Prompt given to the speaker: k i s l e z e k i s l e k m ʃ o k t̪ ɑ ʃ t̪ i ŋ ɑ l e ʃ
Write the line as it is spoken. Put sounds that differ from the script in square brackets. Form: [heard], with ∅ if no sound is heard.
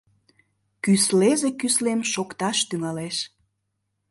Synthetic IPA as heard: k [y] s l e z e k [y] s l e [∅] m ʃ o k t̪ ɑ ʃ t̪ [y] ŋ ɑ l e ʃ